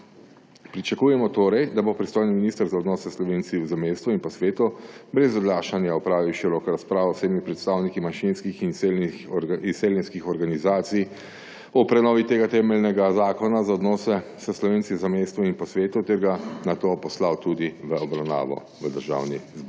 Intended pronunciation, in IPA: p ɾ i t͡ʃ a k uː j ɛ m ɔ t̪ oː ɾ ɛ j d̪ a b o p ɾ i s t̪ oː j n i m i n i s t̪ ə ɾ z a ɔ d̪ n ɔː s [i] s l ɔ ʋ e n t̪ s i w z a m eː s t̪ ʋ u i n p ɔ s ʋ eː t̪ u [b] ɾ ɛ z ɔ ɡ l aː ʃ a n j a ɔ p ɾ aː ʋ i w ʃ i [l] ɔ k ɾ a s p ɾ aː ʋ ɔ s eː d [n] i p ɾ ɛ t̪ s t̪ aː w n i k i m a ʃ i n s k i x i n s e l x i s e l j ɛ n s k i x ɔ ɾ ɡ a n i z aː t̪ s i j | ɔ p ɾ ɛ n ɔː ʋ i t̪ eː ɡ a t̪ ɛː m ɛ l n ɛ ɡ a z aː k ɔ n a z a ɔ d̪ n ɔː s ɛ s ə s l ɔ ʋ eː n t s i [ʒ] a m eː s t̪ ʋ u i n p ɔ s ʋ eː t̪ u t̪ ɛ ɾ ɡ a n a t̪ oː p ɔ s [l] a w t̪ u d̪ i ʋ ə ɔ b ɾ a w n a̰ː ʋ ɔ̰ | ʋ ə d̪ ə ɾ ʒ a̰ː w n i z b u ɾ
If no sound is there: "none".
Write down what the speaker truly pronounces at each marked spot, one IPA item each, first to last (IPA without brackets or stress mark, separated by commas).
ɛ, b, ɾ, m, z, l